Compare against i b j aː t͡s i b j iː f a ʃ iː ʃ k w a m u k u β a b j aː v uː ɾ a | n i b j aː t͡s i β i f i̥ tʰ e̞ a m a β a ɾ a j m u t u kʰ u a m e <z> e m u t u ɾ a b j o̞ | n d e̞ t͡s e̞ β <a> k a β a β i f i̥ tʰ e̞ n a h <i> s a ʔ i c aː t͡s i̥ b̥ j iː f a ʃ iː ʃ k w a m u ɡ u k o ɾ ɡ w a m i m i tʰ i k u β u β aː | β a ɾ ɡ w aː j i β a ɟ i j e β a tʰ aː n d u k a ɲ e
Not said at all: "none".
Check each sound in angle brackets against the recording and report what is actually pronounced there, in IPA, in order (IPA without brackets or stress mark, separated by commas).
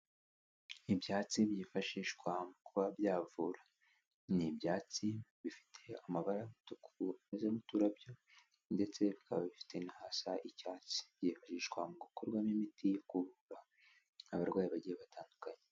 z, i, a